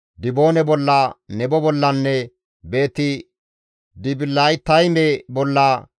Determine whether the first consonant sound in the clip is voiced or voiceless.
voiced